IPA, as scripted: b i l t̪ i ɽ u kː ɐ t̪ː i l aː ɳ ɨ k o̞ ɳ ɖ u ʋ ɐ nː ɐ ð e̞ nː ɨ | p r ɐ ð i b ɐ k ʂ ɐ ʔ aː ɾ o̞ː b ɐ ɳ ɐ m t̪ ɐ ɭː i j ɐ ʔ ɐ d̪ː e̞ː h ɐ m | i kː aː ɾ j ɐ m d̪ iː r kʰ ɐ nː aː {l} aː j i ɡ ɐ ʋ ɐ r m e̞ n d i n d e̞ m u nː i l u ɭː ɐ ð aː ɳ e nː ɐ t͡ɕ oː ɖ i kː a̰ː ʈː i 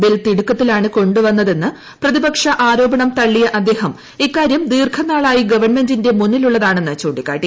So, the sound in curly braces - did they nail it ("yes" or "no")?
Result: no